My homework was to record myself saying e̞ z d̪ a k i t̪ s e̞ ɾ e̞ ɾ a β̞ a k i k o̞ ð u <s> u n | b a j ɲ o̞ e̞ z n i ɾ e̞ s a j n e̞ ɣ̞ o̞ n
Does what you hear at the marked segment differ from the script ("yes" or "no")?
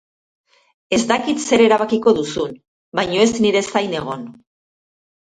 no